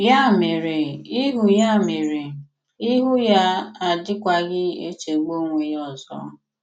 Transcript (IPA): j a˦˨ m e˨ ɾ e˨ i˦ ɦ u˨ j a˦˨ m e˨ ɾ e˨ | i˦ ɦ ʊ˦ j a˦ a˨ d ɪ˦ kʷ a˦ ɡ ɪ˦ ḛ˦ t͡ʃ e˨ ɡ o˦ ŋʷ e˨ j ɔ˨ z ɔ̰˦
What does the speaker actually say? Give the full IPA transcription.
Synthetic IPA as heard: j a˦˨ m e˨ ɾ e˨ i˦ ɦ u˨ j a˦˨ m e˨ ɾ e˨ | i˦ ɦ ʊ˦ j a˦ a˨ d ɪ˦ kʷ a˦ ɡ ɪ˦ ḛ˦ t͡ʃ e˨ ɡ͡b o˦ ŋʷ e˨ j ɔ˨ z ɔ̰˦